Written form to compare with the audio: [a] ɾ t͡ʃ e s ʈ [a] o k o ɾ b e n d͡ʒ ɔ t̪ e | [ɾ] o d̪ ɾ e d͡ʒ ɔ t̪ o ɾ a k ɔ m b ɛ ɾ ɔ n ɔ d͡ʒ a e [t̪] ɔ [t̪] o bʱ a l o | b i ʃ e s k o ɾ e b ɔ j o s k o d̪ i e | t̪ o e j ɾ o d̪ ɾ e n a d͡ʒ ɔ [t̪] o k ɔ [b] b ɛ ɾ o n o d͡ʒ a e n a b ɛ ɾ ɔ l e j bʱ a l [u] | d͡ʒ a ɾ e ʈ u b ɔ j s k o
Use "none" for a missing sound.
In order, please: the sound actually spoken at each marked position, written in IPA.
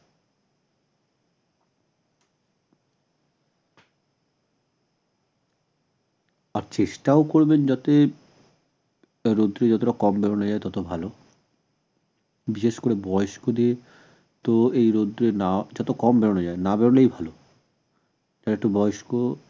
a, a, ɾ, t̪, t̪, t̪, m, o

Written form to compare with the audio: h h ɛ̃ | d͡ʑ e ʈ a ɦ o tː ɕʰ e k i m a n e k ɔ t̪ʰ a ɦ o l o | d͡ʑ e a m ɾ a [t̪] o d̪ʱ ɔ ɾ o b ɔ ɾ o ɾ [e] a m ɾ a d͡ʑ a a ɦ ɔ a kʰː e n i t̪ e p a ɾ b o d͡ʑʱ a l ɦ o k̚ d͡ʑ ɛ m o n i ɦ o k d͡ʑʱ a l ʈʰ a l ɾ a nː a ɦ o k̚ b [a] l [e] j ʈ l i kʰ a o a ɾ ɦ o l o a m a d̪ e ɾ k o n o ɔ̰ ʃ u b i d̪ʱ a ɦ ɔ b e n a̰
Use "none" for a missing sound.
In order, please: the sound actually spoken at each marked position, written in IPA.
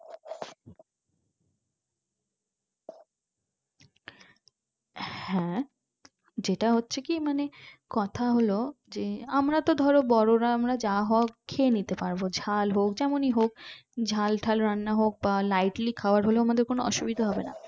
t̪, a, a, a

